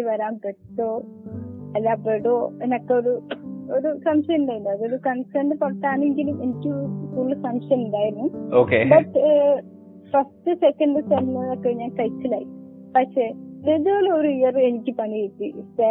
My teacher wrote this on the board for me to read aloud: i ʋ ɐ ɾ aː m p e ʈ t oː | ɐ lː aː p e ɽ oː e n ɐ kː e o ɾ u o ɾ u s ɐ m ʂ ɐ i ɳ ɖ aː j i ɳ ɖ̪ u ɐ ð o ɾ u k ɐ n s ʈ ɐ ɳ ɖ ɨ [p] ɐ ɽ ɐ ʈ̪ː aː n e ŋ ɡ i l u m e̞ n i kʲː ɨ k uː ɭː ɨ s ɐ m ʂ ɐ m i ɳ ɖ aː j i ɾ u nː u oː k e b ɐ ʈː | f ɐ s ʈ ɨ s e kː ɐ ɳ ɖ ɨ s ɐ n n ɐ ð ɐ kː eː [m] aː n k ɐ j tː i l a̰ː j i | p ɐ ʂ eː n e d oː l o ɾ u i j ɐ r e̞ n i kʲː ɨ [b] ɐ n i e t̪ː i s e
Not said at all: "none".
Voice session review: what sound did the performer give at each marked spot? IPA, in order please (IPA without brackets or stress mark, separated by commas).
p, ɲ, p